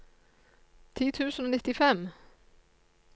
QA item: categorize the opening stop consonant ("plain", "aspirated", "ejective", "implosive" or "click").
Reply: aspirated